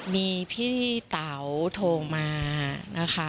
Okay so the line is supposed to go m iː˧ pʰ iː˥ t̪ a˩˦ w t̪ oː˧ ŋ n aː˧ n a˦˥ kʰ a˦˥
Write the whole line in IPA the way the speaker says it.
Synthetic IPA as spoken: m iː˧ pʰ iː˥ t̪ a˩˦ w t̪ʰ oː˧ ŋ m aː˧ n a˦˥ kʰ a˦˥